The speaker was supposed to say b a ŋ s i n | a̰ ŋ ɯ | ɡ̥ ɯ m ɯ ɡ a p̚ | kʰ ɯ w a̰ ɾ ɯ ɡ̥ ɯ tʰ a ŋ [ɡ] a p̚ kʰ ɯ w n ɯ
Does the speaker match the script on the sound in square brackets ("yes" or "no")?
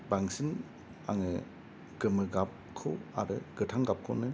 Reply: yes